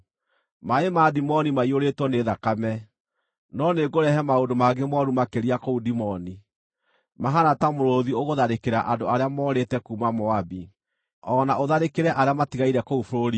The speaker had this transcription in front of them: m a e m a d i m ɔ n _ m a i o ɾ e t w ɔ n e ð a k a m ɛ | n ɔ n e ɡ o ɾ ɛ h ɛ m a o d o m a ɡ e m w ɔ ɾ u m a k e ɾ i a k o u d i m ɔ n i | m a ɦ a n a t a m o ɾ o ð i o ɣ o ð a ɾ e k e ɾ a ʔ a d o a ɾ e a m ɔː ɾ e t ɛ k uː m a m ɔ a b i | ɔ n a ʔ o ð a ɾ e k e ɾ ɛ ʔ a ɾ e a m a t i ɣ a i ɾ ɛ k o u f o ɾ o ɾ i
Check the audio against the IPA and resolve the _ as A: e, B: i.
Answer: B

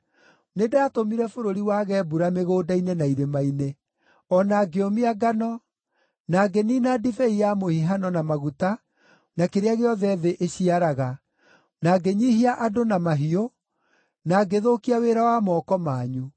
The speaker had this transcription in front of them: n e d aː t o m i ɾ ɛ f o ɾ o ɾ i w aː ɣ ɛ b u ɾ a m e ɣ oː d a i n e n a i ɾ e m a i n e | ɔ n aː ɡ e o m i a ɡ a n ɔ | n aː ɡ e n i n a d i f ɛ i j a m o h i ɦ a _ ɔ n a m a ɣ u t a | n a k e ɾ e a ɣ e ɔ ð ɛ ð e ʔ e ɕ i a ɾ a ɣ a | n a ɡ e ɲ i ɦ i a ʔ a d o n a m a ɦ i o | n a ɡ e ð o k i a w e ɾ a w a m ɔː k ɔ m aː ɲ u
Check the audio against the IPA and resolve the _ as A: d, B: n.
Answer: B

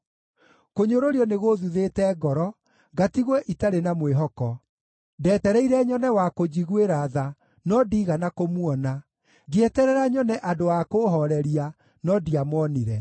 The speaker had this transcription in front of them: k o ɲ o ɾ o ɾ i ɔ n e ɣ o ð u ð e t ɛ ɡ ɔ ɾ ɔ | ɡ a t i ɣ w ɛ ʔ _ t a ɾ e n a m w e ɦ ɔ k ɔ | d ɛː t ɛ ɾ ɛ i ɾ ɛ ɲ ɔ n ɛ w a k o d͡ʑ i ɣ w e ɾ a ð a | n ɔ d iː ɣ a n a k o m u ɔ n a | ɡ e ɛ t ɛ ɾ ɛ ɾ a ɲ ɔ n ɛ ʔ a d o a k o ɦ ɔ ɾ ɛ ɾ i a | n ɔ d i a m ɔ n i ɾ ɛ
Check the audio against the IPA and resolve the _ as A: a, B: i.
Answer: B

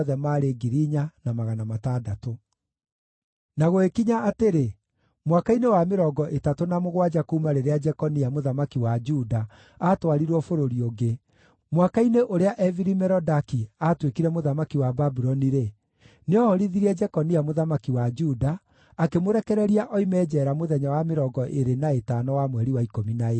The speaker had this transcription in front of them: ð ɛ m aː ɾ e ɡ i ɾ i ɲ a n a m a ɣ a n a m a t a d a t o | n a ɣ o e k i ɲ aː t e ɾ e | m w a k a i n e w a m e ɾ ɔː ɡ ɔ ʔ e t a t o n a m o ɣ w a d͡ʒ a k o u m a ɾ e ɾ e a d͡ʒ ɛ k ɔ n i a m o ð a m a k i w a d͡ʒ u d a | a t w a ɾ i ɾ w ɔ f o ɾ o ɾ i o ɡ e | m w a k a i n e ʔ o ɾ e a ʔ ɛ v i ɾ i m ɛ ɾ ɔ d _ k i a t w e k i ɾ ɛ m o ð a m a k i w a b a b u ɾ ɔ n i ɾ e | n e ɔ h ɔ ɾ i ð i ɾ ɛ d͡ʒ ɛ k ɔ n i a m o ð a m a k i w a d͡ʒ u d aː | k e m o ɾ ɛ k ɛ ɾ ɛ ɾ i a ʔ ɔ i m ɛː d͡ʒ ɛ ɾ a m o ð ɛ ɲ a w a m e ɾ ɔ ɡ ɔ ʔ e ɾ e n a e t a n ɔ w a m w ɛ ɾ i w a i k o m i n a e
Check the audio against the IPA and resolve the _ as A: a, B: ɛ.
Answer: A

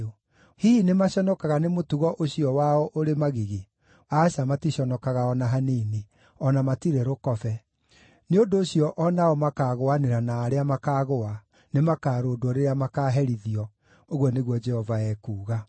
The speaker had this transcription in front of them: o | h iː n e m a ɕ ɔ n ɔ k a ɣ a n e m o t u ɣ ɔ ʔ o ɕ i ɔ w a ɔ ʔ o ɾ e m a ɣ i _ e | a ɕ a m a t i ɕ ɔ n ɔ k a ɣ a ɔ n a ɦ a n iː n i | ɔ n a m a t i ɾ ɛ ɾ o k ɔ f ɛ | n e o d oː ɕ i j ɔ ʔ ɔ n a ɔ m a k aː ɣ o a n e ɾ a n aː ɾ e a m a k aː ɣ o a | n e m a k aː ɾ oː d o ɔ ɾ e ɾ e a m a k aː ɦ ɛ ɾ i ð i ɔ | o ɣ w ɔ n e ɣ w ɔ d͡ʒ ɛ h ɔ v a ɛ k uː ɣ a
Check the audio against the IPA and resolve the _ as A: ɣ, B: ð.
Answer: A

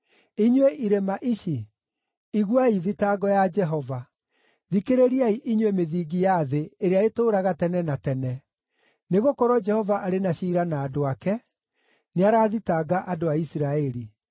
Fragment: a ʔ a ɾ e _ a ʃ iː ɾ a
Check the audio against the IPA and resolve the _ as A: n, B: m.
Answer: A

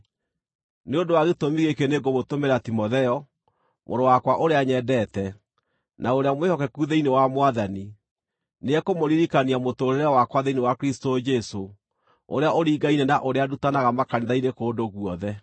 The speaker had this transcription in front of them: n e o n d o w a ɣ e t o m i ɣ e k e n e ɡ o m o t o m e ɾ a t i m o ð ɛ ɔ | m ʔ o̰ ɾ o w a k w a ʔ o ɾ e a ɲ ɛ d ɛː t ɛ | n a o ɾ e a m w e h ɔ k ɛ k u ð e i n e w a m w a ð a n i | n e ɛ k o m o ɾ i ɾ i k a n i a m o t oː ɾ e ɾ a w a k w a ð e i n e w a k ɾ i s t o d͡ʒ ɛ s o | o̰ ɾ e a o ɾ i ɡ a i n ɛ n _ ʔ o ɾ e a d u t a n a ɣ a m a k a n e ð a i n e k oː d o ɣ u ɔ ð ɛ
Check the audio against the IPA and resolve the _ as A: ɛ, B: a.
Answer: B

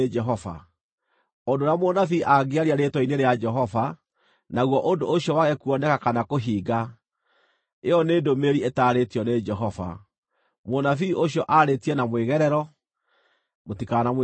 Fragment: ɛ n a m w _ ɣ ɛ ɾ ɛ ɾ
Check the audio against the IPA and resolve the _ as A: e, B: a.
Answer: A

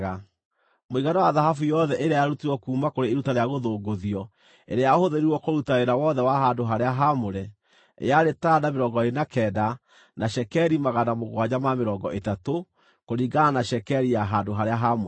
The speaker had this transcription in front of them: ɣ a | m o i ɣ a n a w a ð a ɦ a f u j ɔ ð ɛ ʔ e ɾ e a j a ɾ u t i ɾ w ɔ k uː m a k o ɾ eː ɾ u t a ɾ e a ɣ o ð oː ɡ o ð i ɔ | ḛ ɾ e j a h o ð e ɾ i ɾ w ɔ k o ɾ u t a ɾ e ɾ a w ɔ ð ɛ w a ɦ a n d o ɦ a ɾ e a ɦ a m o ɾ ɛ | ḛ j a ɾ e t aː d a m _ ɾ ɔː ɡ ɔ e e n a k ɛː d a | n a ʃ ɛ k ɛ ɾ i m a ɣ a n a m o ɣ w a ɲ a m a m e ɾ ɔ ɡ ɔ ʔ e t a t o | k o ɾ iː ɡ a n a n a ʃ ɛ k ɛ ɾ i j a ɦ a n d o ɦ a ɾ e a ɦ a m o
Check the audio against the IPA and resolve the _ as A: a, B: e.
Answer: B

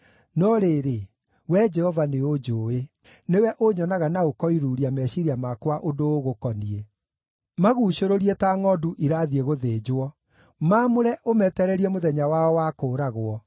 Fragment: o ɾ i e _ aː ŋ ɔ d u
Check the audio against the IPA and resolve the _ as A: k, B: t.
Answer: B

